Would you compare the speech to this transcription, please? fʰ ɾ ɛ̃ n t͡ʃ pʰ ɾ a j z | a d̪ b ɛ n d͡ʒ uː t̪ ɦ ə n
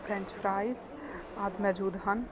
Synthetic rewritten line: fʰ ɾ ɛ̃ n t͡ʃ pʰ ɾ a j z | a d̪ m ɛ d͡ʒ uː d̪ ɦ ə n